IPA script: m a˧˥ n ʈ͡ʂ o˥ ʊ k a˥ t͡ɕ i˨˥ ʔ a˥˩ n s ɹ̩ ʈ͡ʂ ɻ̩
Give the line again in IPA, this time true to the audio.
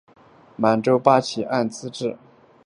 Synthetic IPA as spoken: m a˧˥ n ʈ͡ʂ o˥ ʊ p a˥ t͡ɕʰ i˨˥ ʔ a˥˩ n t͡s ɹ̩ ʈ͡ʂ ɻ̩